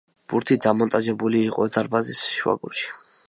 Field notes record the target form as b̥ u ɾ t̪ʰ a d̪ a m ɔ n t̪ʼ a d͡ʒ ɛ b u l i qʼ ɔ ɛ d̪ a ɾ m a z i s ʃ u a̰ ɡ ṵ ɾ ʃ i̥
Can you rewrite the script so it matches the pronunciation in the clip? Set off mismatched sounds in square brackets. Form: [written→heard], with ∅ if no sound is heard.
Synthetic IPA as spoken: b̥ u ɾ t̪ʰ [a→i] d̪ a m ɔ n t̪ʼ a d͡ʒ ɛ b u l [i→iː] qʼ ɔ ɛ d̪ a ɾ [m→b] a z i s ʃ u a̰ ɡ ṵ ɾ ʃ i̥